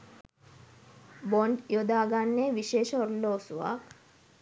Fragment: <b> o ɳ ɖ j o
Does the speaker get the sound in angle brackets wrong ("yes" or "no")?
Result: no